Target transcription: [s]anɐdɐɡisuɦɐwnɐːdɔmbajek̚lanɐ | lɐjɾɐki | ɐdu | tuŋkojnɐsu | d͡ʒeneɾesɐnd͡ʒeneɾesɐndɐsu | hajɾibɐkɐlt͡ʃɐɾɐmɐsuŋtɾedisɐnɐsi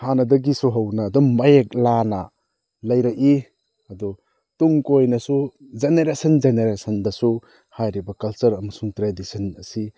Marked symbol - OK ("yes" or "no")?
no